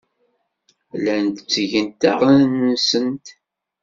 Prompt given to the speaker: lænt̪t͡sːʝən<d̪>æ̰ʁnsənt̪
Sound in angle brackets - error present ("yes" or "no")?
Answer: yes